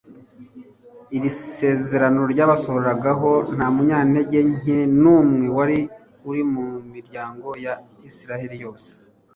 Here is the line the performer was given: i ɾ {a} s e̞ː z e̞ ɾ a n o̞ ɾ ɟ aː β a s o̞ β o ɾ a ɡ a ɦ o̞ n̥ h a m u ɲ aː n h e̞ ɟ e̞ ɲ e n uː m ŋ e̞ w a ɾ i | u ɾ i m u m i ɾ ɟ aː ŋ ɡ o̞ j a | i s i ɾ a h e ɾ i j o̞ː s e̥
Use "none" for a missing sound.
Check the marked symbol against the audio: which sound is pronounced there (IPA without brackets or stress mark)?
i